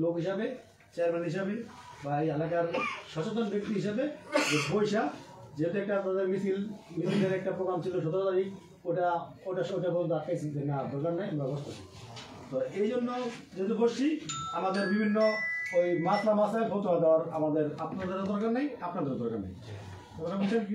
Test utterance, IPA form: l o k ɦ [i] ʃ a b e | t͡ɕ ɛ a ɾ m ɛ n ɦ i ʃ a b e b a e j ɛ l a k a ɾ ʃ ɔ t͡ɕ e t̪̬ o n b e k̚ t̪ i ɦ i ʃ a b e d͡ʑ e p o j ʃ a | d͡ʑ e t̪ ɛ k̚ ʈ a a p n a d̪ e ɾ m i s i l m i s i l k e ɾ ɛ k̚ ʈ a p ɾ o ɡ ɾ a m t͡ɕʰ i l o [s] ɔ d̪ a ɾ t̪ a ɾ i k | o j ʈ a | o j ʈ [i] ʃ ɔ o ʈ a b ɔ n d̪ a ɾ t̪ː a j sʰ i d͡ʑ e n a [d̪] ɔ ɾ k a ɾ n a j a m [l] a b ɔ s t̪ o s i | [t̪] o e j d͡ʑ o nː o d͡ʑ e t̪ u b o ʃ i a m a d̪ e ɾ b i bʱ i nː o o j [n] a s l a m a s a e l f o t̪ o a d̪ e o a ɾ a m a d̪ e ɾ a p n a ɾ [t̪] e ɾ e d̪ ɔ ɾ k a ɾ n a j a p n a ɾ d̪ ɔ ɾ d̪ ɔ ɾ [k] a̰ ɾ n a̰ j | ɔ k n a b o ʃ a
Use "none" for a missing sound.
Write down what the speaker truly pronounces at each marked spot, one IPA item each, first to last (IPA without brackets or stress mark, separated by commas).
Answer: i, ʃ, a, d̪, ɾ, t̪, m, d̪, k